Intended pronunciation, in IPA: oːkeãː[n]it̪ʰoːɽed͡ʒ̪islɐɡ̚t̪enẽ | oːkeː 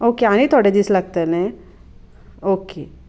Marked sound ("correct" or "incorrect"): correct